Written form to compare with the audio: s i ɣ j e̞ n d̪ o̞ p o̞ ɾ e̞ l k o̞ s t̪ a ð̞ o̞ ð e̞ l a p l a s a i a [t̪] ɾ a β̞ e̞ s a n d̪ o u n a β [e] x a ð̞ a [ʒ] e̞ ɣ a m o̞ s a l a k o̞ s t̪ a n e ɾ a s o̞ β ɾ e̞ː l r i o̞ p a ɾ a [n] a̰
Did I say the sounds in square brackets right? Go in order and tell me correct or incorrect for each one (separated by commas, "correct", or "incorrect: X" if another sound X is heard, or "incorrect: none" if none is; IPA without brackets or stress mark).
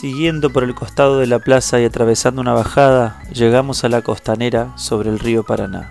correct, incorrect: a, correct, correct